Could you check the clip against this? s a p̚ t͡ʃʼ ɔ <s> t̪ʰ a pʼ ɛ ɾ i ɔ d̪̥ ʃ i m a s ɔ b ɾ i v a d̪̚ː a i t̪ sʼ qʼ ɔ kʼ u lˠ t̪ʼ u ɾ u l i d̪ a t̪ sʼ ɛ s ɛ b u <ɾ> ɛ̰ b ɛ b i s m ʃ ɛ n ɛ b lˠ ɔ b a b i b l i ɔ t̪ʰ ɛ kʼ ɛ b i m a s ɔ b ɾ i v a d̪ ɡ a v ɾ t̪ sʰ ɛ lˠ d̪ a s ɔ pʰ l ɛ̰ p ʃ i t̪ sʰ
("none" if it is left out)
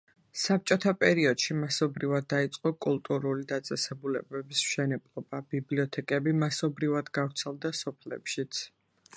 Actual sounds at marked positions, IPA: none, l

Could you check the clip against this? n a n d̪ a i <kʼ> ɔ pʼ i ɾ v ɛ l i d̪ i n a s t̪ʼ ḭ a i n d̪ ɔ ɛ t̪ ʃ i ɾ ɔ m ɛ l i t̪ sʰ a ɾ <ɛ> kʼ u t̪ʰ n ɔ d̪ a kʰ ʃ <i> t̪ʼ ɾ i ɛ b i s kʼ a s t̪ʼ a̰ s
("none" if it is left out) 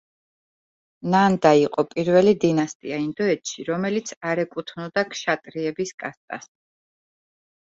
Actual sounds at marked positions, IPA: qʼ, ɛ, a

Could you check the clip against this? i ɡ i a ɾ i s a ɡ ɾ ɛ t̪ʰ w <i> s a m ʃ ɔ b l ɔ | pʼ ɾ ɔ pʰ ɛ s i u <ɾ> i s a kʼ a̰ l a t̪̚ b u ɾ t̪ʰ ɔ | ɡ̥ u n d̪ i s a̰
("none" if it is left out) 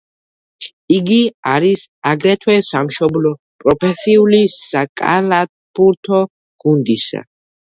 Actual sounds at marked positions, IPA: ɛ, l

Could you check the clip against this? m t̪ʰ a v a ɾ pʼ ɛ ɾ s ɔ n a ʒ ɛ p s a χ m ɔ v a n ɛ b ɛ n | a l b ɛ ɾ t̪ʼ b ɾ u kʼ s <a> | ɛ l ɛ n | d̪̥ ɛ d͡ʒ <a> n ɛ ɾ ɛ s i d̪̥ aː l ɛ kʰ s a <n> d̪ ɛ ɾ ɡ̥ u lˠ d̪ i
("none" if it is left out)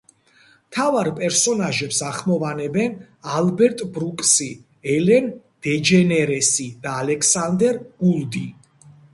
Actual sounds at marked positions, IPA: i, ɛ, n

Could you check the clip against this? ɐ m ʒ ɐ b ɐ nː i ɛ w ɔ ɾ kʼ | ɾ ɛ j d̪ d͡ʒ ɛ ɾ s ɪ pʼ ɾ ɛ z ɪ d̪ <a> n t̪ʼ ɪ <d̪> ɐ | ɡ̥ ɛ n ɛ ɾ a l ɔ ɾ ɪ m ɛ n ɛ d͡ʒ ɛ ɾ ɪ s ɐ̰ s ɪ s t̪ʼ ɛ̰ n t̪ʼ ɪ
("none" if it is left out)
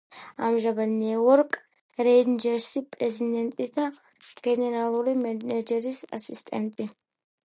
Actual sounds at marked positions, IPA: ɛ, t̪

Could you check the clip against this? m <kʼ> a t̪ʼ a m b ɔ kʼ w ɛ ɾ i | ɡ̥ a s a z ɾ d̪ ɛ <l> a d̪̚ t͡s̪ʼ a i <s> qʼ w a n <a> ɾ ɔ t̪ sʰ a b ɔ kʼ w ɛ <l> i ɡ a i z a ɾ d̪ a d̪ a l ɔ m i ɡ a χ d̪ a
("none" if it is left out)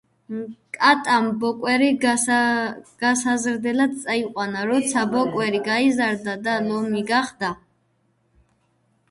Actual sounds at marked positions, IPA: kʼ, l, none, a, ɾ

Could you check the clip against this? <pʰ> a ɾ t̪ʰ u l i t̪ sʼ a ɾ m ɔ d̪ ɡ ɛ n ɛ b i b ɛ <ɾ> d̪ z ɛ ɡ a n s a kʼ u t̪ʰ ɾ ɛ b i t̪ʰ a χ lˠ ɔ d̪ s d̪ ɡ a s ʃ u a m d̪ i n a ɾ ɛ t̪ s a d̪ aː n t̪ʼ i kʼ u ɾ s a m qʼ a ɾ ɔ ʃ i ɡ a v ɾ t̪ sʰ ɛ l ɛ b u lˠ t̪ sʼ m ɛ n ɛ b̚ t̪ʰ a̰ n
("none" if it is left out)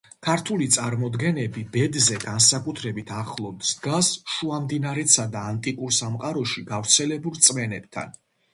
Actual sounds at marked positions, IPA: kʰ, none

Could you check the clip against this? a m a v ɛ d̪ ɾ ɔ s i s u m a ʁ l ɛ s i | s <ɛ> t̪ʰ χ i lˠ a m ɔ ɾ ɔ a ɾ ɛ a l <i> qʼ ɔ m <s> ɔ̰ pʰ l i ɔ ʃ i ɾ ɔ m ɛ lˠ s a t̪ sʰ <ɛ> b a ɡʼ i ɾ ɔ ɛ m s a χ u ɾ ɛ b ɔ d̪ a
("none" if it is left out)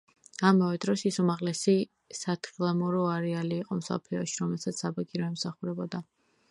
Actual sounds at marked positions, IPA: a, iː, s, a

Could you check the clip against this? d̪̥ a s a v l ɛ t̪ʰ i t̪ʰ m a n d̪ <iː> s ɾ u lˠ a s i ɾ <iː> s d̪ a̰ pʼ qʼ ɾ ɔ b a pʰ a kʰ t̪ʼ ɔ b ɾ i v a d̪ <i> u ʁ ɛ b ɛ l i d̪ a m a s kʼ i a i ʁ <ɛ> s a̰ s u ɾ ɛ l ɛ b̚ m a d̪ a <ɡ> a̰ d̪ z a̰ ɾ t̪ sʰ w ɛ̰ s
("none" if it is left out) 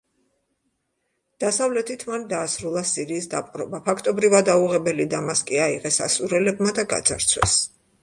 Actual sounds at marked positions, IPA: aː, iː, a, ɛ, ɡ

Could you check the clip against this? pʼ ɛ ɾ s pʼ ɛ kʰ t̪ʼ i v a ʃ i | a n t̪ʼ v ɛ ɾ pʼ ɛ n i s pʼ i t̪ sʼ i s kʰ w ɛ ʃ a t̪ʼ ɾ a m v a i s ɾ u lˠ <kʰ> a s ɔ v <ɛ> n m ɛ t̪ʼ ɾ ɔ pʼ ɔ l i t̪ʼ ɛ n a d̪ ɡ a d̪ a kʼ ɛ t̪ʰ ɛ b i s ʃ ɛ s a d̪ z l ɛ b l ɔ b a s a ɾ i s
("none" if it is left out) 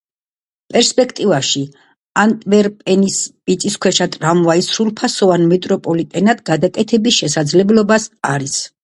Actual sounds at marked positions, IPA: pʰ, a

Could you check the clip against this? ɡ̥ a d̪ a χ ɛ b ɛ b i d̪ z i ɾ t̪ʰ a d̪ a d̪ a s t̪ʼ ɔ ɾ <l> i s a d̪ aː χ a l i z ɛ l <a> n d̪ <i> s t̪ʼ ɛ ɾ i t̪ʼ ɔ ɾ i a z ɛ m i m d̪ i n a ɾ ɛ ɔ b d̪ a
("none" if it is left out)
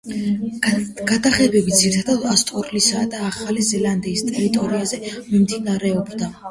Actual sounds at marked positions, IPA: l, a, iː

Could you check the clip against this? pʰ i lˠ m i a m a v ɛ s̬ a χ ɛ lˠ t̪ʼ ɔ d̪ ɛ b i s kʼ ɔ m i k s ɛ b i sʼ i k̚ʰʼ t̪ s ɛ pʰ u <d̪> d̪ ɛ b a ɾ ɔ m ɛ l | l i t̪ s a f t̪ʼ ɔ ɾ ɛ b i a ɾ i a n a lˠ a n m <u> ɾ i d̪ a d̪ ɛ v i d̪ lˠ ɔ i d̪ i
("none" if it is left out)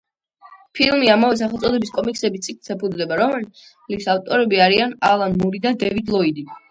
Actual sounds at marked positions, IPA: d̪, u

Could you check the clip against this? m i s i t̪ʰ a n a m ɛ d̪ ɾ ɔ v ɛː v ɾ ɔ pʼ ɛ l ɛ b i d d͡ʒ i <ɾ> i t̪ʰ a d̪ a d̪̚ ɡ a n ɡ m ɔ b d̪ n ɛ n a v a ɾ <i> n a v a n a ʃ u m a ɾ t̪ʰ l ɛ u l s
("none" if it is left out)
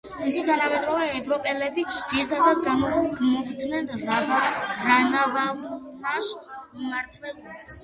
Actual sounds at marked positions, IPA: ɾ, a

